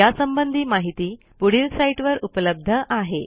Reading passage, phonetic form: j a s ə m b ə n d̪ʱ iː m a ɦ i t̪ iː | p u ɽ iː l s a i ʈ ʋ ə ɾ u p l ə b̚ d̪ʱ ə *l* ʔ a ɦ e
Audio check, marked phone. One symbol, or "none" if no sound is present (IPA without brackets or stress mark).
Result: none